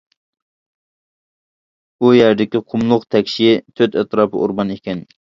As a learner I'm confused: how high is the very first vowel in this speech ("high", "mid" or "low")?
high